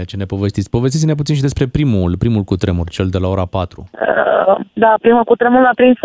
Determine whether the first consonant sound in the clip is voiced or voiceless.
voiceless